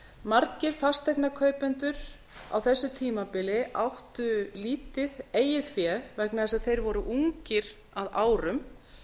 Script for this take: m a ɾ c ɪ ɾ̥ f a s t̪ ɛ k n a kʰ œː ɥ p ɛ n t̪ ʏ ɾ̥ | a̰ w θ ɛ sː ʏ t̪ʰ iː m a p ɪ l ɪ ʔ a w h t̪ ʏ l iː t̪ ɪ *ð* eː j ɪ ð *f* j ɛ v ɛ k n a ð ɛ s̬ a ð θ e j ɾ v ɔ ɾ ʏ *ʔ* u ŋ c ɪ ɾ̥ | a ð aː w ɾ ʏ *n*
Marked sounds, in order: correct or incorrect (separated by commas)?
correct, correct, correct, incorrect